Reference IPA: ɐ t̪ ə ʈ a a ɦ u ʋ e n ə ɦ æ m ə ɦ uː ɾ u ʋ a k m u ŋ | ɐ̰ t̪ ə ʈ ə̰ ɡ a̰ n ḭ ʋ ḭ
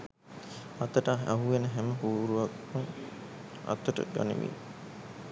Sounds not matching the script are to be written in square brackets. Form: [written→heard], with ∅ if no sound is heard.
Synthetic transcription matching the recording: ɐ t̪ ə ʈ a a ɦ u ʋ e n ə ɦ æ m ə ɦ uː ɾ u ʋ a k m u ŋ | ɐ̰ t̪ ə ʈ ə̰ ɡ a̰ n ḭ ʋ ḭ